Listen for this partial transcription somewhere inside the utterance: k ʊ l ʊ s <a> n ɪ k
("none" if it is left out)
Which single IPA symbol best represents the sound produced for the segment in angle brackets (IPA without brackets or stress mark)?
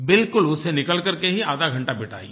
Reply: e